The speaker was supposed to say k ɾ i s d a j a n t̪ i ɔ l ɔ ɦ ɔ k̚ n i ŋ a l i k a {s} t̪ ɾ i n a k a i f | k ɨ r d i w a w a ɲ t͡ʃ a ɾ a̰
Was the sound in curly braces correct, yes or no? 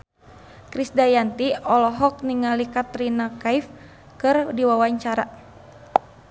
no